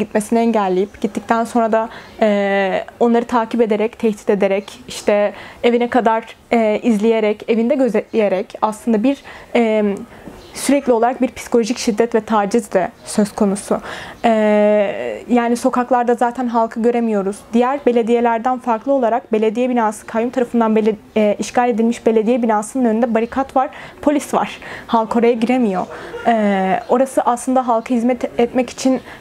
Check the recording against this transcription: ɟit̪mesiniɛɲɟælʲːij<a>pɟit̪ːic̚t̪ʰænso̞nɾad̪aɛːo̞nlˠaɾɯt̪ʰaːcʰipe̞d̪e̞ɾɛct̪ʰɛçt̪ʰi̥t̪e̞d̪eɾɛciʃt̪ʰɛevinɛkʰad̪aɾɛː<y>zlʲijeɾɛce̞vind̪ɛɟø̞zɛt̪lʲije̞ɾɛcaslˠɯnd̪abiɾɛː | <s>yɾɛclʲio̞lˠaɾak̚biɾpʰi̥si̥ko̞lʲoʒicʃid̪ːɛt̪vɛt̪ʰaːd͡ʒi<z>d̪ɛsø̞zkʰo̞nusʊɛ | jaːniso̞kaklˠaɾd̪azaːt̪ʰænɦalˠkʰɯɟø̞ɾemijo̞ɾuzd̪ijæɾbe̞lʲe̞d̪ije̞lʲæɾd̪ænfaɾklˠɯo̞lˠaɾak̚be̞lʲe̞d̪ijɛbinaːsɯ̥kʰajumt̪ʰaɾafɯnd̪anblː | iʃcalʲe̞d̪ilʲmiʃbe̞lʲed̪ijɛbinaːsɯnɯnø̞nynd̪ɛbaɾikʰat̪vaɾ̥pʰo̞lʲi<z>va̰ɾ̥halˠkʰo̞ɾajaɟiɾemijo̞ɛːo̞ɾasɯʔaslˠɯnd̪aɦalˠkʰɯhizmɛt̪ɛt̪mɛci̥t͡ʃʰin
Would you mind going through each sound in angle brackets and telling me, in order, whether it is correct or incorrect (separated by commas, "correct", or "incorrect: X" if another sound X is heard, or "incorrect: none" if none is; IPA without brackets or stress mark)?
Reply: incorrect: i, incorrect: i, correct, correct, incorrect: s